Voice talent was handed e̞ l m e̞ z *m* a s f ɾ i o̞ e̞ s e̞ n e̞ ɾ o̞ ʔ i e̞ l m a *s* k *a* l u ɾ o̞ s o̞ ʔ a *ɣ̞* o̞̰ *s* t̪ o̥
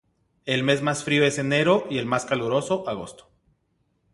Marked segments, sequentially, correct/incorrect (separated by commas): correct, correct, correct, correct, correct